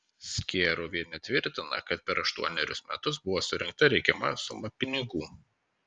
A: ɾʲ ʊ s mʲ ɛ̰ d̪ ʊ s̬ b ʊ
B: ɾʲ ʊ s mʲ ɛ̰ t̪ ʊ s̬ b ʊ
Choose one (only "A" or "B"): B